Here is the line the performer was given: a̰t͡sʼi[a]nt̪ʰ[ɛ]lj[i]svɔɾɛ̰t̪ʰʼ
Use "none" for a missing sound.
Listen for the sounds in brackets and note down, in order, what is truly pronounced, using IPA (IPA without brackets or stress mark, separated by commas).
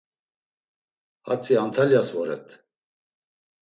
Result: a, a, a